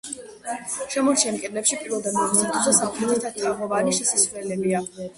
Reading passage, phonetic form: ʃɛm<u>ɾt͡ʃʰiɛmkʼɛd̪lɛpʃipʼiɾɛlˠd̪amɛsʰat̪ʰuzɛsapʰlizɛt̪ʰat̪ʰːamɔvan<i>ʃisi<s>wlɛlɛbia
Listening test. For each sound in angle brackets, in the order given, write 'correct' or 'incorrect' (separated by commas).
incorrect, correct, correct